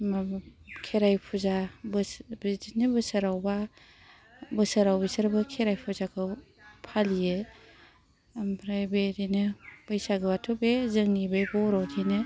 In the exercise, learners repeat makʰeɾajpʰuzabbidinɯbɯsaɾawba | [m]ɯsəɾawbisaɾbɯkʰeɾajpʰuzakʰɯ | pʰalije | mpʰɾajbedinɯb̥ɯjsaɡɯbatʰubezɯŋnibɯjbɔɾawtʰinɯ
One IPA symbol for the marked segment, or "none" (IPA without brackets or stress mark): b